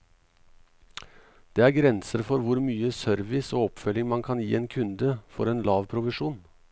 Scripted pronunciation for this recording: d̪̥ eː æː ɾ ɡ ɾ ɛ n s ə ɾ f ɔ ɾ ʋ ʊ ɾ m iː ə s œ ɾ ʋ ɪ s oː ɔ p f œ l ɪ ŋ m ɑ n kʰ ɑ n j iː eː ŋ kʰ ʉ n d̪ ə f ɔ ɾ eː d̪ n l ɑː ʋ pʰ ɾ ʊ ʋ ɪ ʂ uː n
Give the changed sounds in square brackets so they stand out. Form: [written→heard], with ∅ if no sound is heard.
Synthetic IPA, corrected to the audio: d̪̥ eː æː ɾ ɡ ɾ ɛ n s ə ɾ f ɔ ɾ ʋ ʊ ɾ m [iː→yː] ə s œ ɾ ʋ ɪ s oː ɔ p f œ l ɪ ŋ m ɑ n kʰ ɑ n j iː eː [ŋ→n] kʰ ʉ n d̪ ə f ɔ ɾ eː [d̪→∅] n l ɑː ʋ pʰ ɾ ʊ ʋ ɪ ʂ uː n